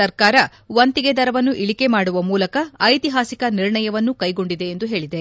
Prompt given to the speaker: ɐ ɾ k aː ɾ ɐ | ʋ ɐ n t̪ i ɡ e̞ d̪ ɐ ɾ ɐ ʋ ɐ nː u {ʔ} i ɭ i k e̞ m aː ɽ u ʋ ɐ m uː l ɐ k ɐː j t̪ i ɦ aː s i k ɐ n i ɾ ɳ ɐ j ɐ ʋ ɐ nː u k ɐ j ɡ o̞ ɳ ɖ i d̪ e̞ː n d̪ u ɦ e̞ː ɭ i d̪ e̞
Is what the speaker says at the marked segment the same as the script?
yes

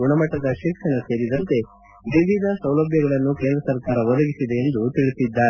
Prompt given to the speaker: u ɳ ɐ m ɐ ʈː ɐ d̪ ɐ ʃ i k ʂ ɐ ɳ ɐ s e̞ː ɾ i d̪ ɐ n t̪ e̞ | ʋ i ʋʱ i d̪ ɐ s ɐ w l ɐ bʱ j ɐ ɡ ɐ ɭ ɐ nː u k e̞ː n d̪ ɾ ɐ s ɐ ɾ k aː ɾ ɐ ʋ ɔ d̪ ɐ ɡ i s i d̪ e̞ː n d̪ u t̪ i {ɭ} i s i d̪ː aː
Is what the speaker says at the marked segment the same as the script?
yes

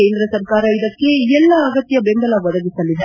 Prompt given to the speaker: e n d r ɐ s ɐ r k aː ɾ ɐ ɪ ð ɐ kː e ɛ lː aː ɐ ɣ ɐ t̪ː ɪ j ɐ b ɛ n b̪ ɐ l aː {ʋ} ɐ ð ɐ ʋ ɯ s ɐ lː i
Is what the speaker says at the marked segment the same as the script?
yes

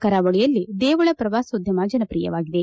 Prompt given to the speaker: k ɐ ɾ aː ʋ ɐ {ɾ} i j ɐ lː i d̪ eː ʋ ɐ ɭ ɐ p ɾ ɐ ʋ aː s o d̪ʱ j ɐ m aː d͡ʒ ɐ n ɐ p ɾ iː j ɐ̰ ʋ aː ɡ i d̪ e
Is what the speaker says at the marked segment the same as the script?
no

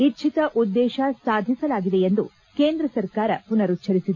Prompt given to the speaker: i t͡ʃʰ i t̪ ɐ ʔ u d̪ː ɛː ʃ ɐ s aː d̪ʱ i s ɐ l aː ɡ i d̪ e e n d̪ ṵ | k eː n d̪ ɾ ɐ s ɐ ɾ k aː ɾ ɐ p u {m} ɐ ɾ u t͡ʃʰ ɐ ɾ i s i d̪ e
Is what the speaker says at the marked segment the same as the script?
no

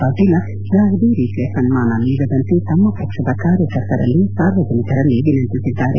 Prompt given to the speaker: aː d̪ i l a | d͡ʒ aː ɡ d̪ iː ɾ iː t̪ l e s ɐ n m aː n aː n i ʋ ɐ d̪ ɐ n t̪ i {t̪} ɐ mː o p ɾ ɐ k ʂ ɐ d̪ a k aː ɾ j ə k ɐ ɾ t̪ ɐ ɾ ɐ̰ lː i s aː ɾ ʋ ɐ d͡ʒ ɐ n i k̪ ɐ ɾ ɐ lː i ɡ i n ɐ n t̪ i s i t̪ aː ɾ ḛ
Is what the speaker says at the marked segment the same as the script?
yes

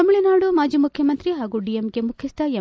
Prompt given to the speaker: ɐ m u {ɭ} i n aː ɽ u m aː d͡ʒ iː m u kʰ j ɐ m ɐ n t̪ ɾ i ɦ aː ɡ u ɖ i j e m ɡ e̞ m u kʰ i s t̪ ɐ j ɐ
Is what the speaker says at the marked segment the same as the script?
yes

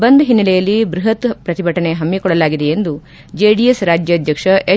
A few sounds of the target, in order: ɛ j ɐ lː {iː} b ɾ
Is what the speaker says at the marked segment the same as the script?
no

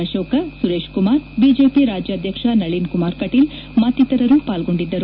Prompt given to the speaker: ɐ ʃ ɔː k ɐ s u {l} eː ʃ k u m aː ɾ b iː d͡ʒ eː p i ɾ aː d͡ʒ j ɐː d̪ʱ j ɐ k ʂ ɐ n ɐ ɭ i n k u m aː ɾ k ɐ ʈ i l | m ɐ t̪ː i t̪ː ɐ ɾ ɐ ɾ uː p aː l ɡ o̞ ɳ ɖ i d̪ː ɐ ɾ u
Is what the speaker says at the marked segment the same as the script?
no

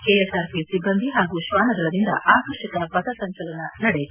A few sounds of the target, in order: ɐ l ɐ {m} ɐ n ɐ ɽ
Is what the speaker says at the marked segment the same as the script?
no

